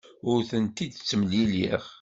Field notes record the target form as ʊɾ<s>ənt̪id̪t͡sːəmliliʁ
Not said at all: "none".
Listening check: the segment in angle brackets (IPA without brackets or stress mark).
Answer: θ